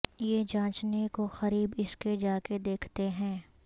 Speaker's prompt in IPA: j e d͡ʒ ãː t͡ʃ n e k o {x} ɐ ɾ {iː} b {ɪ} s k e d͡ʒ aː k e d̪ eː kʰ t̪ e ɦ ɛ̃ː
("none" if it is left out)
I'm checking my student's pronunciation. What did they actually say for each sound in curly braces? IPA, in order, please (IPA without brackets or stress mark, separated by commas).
x, iː, ɪ